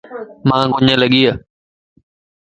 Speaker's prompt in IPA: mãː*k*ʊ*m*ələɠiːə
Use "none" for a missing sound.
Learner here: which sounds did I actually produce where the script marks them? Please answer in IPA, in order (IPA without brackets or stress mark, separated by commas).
ɡ, ɲ